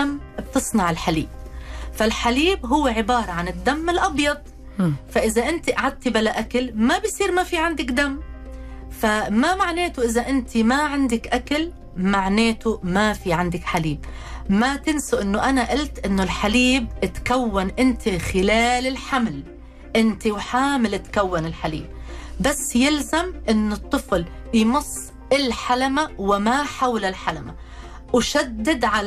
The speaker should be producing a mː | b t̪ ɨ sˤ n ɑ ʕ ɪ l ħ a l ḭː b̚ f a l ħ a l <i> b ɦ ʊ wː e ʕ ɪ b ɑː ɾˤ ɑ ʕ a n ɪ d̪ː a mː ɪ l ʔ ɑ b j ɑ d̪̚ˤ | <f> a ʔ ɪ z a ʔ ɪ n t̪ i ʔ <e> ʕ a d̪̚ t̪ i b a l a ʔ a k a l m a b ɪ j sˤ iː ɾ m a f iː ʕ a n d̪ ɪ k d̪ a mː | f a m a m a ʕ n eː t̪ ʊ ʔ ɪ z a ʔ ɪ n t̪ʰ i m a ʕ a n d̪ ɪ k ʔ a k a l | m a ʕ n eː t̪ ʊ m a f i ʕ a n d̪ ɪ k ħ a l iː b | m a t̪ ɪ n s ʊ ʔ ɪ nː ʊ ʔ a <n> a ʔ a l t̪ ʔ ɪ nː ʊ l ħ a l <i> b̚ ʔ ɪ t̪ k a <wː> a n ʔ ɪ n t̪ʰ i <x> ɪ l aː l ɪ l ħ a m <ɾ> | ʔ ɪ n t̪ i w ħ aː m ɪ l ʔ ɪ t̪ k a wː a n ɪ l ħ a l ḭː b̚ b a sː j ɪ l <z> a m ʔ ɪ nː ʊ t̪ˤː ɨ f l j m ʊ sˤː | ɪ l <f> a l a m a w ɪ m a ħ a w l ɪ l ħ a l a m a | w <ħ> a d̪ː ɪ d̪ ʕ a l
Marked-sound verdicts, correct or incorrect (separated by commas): incorrect, correct, incorrect, correct, incorrect, correct, correct, incorrect, correct, incorrect, incorrect